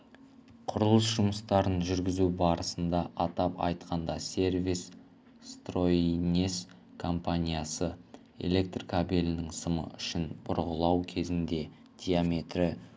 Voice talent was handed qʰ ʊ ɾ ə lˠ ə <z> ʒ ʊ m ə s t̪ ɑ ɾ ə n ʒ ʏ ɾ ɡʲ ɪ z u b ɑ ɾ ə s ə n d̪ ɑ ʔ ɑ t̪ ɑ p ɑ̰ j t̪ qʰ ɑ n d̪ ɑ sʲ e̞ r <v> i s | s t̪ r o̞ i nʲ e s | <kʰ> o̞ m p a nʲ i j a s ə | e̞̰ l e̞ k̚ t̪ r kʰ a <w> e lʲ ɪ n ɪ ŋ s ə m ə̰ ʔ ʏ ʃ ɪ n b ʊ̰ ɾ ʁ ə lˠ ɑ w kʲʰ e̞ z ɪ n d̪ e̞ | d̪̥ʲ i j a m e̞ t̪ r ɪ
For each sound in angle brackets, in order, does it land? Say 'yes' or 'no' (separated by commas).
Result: no, yes, yes, no